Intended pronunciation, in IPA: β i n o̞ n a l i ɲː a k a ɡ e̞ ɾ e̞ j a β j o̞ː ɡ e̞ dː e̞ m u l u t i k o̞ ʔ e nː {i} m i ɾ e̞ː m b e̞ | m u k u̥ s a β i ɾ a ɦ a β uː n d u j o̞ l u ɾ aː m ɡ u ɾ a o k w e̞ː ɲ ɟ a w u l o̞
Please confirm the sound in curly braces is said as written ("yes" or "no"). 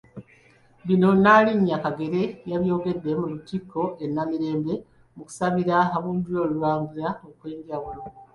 no